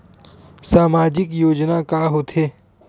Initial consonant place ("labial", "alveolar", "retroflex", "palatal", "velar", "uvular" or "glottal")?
alveolar